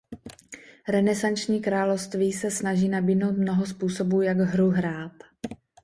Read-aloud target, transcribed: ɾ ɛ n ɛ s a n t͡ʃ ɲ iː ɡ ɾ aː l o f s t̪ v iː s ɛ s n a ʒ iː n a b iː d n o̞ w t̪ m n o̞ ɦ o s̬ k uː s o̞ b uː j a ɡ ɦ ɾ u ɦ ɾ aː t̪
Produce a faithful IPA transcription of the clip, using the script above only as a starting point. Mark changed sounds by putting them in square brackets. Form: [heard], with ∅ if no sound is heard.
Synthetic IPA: ɾ ɛ n ɛ s a n t͡ʃ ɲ iː [k] ɾ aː l o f s t̪ v iː s ɛ s n a ʒ iː n a b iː d n o̞ w t̪ m n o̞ ɦ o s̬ [p] uː s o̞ b uː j a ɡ ɦ ɾ u ɦ ɾ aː t̪

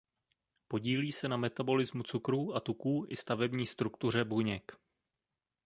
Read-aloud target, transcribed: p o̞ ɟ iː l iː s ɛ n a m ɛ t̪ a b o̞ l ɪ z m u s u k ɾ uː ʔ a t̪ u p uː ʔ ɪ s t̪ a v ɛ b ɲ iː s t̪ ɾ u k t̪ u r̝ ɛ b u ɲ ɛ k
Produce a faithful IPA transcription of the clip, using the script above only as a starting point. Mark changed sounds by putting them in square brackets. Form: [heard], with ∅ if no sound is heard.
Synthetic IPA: p o̞ ɟ iː l iː s ɛ n a m ɛ t̪ a b o̞ l ɪ z m u [t͡s] u k ɾ uː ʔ a t̪ u [k] uː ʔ ɪ s t̪ a v ɛ b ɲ iː s t̪ ɾ u k t̪ u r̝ ɛ b u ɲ ɛ k

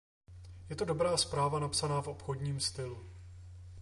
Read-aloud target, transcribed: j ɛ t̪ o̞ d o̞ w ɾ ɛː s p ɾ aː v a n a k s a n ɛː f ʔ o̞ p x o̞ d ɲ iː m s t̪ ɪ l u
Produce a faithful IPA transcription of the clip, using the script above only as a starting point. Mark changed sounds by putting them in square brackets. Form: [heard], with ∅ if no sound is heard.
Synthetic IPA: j ɛ t̪ o̞ d o̞ [b] ɾ [aː] s p ɾ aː v a n a [p] s a n [aː] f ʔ o̞ p x o̞ d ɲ iː m s t̪ ɪ l u

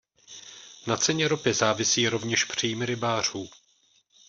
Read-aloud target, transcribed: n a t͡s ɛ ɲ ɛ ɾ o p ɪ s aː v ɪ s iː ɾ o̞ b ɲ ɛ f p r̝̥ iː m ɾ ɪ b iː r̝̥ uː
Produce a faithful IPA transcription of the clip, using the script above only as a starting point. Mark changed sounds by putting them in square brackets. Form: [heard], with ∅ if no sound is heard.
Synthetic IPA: n a t͡s ɛ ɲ ɛ ɾ o p ɪ [z] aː v ɪ s iː ɾ o̞ [v] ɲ ɛ [ʃ] p r̝̥ iː m ɾ ɪ b [aː] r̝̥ uː

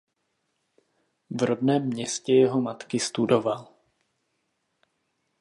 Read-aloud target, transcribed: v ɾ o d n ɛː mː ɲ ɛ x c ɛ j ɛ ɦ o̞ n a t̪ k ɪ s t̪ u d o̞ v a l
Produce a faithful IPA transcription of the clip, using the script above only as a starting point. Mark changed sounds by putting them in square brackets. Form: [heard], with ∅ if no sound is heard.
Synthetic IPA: v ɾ o d n ɛː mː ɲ ɛ [s] c ɛ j ɛ ɦ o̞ [m] a t̪ k ɪ s t̪ u d o̞ v a l

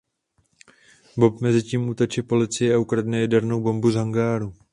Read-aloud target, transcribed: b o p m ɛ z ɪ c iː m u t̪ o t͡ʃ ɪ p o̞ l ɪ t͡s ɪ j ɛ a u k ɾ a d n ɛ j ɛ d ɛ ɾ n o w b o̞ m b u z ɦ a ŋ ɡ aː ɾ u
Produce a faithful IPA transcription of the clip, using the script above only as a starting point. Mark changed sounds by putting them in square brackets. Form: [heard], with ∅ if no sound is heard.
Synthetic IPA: b o p m ɛ z ɪ c iː m u t̪ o t͡ʃ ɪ p o̞ l ɪ t͡s ɪ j ɛ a u k ɾ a d n ɛ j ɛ d ɛ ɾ n o w b o̞ m b u z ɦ a ŋ ɡ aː ɾ u

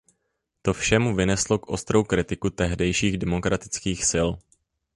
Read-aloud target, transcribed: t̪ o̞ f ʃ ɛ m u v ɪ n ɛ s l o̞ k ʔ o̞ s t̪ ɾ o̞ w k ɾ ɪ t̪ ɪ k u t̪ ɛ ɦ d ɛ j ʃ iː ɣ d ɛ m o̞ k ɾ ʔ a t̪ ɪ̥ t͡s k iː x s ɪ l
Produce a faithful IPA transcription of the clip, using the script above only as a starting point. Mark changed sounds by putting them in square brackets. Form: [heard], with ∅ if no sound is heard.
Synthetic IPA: t̪ o̞ f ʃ ɛ m u v ɪ n ɛ s l o̞ k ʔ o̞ s t̪ ɾ o̞ w k ɾ ɪ t̪ ɪ k u t̪ ɛ ɦ d ɛ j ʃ iː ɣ d ɛ m o̞ k ɾ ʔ a t̪ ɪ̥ t͡s k iː x s ɪ l

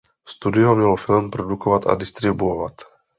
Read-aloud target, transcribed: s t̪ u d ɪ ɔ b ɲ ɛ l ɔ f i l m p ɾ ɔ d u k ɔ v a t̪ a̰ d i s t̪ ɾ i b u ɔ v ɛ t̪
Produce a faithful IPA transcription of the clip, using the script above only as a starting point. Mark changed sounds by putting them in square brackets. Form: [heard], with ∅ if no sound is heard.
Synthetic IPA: s t̪ u d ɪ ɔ [m] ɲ ɛ l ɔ f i l m p ɾ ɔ d u k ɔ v a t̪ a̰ d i s t̪ ɾ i b u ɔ v [a] t̪

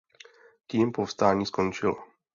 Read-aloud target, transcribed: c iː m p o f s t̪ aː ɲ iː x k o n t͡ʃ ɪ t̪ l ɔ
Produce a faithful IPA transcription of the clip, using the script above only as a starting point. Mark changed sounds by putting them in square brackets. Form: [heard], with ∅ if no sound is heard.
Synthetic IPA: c iː m p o f s t̪ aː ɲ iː [s] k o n t͡ʃ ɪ [∅] l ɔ

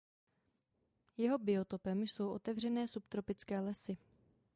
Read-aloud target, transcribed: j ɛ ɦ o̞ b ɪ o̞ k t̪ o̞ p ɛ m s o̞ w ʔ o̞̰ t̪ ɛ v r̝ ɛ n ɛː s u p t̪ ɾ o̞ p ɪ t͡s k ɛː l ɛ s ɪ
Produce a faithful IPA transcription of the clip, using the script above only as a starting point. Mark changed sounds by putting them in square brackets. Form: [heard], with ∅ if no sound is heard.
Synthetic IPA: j ɛ ɦ o̞ b ɪ o̞ [∅] t̪ o̞ p ɛ m s o̞ w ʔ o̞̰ t̪ ɛ v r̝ ɛ n ɛː s u p t̪ ɾ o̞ p ɪ t͡s k ɛː l ɛ s ɪ

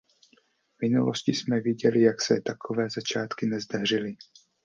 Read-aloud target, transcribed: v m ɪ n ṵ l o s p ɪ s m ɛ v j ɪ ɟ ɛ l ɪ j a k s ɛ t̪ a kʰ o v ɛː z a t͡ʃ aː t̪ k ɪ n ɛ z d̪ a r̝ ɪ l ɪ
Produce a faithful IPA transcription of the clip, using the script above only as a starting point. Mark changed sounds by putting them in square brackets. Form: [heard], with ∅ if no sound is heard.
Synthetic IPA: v m ɪ n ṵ l o s [c] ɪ s m ɛ v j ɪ ɟ ɛ l ɪ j a k s ɛ t̪ a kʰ o v ɛː z a t͡ʃ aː t̪ k ɪ n ɛ z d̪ a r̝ ɪ l ɪ

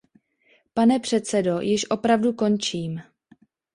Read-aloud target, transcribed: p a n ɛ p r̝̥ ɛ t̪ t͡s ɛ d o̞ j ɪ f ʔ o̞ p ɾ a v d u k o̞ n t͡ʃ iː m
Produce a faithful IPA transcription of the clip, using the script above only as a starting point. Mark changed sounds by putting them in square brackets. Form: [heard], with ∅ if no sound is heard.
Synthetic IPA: p a n ɛ p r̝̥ ɛ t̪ t͡s ɛ d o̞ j ɪ [ʃ] ʔ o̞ p ɾ a v d u k o̞ n t͡ʃ iː m

